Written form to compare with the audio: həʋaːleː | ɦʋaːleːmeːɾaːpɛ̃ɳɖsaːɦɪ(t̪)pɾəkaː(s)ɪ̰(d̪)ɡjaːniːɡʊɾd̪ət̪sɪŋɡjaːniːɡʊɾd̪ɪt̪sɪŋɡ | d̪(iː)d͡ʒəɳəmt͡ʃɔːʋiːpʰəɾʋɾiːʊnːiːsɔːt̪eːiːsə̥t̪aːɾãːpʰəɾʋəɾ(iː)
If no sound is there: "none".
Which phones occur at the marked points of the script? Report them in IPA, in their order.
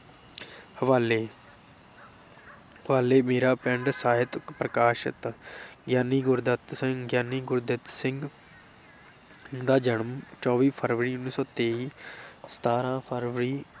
t̪, ʃ, t̪, aː, iː

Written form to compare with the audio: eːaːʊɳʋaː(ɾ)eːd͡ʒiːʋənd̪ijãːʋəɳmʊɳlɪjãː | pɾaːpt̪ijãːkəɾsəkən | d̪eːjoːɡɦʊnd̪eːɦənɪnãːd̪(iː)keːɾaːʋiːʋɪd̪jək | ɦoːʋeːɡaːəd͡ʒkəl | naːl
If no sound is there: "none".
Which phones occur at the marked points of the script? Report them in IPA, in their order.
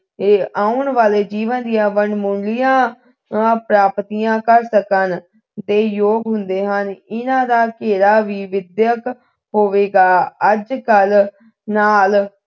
l, aː

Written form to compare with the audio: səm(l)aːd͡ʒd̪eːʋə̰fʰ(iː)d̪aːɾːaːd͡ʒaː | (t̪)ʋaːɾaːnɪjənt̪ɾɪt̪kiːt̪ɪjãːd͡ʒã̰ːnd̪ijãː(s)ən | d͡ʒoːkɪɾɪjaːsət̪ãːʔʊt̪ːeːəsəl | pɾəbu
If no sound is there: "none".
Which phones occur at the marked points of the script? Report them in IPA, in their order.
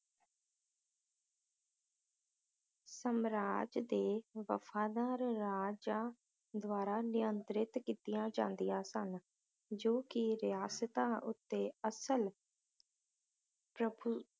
ɾ, aː, d̪, s

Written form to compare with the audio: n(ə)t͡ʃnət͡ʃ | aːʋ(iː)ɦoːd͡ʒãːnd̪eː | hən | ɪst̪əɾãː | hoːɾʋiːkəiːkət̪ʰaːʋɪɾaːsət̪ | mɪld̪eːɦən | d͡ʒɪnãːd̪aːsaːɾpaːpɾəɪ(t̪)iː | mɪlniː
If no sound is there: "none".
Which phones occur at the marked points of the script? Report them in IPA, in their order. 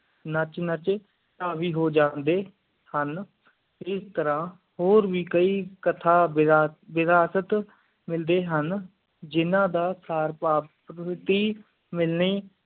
ə, iː, t̪

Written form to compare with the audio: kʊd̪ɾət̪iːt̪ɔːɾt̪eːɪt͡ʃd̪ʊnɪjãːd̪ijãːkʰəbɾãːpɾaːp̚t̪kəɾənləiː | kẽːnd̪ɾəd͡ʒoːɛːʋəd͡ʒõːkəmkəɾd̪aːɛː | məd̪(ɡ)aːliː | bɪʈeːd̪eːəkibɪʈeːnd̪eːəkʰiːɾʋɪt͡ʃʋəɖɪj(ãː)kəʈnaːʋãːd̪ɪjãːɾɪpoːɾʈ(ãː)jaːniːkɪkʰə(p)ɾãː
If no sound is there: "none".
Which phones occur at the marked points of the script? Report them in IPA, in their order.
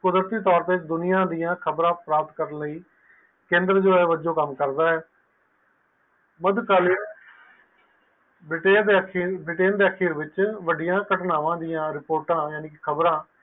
k, ãː, ãː, b

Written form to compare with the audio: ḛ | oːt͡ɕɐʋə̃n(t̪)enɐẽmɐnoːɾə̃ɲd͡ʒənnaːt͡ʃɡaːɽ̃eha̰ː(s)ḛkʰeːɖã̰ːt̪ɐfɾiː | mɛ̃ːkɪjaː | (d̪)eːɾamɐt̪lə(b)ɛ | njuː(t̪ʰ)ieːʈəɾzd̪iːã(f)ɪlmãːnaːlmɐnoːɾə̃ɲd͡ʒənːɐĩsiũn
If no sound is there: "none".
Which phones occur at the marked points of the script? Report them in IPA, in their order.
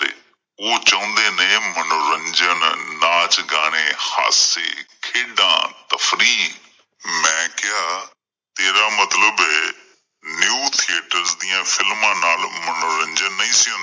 d̪, s, t̪, b, t̪ʰ, f

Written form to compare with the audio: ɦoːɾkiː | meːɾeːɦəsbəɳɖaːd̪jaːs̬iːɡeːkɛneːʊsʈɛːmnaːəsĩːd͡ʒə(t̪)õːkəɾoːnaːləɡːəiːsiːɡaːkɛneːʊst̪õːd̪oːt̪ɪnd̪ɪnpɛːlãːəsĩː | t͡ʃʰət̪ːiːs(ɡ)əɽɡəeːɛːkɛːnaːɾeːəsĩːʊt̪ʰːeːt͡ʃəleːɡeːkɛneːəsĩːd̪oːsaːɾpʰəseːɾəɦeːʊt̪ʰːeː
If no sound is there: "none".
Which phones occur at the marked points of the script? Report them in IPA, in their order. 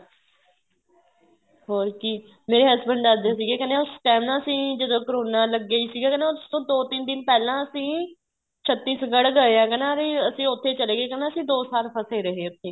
d̪, ɡ

